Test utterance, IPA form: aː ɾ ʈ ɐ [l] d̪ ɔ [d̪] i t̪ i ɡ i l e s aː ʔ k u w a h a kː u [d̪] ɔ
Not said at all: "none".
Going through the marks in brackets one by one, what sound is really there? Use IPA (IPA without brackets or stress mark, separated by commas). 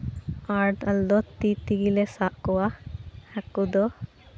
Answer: l, t̪, d̪